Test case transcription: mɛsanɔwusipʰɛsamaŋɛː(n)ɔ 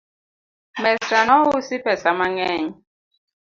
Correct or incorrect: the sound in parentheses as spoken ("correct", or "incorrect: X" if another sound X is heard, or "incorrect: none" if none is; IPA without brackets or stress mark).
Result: incorrect: ɲ